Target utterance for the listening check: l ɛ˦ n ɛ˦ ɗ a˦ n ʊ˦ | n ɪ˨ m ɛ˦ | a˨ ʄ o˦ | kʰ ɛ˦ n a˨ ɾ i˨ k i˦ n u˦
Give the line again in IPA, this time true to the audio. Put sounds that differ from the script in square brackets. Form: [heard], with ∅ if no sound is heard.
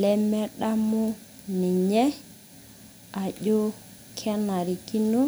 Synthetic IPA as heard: l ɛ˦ [m] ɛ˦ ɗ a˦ [m] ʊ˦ | n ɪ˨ [ɲ] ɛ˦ | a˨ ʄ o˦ | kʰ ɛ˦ n a˨ ɾ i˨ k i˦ n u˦